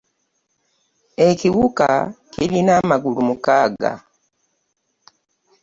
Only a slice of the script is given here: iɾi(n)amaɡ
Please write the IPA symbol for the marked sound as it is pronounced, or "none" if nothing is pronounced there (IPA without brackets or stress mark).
n